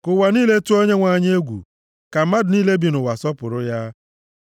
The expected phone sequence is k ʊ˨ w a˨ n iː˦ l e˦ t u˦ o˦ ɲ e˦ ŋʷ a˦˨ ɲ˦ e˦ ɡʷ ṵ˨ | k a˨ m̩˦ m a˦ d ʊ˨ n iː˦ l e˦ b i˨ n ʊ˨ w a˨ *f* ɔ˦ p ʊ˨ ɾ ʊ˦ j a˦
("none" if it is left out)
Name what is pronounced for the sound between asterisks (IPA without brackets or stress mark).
s